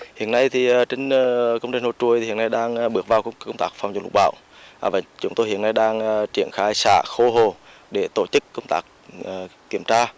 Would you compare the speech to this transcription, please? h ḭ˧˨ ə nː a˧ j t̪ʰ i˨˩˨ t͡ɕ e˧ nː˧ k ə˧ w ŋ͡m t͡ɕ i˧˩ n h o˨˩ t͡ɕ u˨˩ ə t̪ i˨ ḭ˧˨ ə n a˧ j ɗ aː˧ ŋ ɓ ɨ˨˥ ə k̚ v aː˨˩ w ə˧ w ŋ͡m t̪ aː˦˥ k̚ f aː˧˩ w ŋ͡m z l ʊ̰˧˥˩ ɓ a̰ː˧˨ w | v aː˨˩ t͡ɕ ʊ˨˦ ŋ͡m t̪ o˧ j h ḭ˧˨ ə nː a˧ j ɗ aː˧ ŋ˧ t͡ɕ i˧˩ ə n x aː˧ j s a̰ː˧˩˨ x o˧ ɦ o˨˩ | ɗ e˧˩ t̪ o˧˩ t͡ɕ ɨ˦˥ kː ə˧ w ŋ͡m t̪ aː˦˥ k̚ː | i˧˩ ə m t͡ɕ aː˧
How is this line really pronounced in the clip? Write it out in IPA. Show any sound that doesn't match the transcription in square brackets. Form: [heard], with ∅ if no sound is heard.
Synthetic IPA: h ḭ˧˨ ə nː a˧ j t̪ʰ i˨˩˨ t͡ɕ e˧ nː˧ k ə˧ w ŋ͡m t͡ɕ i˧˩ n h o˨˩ t͡ɕ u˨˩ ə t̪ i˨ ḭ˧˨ ə n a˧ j ɗ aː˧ ŋ ɓ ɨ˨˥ ə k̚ v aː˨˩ w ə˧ w ŋ͡m t̪ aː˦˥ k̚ f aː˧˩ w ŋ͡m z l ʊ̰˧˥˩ ɓ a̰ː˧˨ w | v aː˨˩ t͡ɕ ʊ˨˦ ŋ͡m t̪ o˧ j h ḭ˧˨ ə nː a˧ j ɗ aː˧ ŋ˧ t͡ɕ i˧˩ ə n x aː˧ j s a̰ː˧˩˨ x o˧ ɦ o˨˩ | ɗ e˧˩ t̪ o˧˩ t͡ɕ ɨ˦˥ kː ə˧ w ŋ͡m t̪ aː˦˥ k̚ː | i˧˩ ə m t͡ɕ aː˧